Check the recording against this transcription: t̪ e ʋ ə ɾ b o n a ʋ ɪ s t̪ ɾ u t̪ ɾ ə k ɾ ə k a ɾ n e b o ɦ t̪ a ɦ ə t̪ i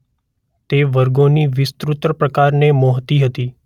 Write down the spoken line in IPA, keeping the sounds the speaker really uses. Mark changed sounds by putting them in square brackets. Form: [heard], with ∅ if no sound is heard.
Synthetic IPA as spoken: t̪ e ʋ ə ɾ [ɡ] o n [i] ʋ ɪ s t̪ ɾ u t̪ ɾ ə [p] ɾ ə k a ɾ n e [m] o ɦ t̪ [i] ɦ ə t̪ i